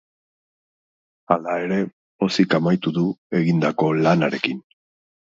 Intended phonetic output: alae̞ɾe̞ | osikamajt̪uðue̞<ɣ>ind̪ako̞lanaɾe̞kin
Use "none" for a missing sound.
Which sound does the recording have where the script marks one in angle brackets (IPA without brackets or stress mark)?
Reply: ɣ